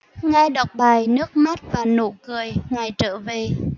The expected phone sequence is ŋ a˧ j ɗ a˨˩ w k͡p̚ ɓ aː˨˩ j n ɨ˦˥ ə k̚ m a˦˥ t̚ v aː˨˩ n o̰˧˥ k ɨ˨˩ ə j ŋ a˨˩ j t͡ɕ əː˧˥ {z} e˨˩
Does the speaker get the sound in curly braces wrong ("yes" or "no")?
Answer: yes